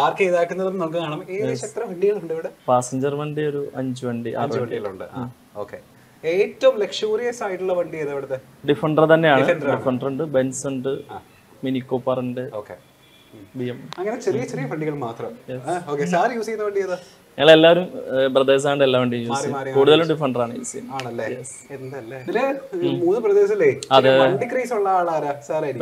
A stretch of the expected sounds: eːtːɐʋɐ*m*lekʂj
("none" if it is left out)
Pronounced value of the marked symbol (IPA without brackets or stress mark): m